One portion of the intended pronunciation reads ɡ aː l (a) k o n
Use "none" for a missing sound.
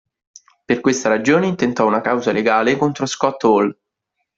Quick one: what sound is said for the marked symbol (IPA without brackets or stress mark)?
e